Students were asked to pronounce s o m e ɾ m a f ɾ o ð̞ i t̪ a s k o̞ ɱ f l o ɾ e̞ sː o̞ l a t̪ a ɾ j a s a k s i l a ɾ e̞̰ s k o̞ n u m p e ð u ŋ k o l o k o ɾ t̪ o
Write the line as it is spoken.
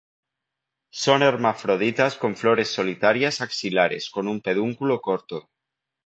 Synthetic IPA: s o n e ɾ m a f ɾ o ð̞ i t̪ a s k o̞ ɱ f l o ɾ e̞ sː o̞ l i t̪ a ɾ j a s a k s i l a ɾ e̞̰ s k o̞ n u m p e ð u ŋ k u l o k o ɾ t̪ o